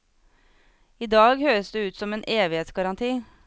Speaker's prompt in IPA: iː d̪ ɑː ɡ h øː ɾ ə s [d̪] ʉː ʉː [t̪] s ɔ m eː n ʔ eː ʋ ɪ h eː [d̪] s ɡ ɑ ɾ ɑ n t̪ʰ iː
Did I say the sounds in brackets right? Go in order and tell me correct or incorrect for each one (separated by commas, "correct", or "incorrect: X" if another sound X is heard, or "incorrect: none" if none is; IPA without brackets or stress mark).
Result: correct, correct, incorrect: t̪